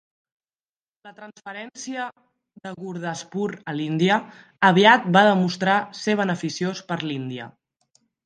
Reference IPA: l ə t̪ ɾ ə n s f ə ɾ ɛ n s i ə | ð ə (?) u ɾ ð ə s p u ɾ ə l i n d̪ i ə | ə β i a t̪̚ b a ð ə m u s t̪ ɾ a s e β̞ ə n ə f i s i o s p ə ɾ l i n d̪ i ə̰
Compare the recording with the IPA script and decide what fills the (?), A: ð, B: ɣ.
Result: B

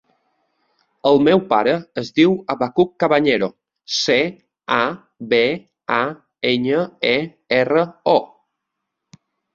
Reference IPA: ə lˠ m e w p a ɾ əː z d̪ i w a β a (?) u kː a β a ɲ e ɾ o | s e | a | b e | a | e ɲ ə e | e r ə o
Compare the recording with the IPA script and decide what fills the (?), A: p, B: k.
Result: B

